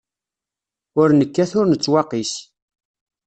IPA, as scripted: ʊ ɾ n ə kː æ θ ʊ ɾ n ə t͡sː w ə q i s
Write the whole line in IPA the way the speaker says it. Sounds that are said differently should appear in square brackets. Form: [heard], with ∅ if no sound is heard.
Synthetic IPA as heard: ʊ ɾ n ə kː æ θ ʊ ɾ n ə t͡sː w [ɑ] q i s